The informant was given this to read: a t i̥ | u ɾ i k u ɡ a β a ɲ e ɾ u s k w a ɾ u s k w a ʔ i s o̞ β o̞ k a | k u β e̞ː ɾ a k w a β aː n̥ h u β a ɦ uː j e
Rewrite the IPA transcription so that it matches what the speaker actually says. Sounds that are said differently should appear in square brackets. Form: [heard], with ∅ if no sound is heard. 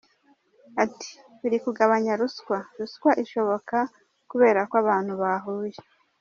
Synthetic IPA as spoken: a t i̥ | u ɾ i k u ɡ a β a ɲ [a] ɾ u s k w a ɾ u s k w a ʔ i [ʃ] o̞ β o̞ k a | k u β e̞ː ɾ a k w a β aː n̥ h u β a ɦ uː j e